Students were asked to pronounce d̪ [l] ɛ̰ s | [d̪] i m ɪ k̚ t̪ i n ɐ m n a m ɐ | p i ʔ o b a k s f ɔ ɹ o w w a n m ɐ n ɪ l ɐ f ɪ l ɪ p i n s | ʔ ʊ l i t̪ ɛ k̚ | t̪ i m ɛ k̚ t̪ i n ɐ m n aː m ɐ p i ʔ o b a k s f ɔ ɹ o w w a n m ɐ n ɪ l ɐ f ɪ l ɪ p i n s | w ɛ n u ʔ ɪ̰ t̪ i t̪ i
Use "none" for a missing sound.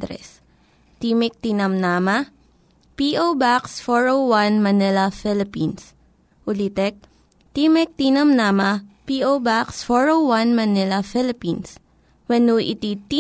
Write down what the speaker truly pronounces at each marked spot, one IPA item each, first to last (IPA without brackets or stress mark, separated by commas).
ɾ, t̪